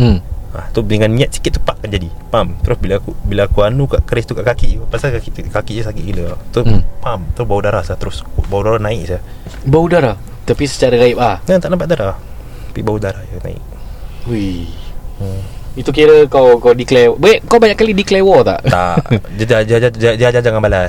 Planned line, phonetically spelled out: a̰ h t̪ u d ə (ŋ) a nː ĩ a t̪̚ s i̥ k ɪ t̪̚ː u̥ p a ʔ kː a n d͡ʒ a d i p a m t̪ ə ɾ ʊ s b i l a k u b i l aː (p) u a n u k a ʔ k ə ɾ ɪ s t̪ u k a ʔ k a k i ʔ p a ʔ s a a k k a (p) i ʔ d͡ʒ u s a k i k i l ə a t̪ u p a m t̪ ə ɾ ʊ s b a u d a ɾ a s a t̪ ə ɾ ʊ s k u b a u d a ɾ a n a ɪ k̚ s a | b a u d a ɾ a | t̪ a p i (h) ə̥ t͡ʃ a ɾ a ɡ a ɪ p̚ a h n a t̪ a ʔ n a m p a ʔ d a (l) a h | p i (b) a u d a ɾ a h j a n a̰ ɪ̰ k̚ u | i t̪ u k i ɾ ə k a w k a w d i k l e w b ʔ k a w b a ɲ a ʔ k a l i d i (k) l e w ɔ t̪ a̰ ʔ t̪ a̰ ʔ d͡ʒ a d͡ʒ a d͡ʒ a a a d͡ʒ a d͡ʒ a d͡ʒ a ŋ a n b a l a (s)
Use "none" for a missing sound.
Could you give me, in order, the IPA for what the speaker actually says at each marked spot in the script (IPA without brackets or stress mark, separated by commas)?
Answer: ŋ, k, k, s, ɾ, b, k, s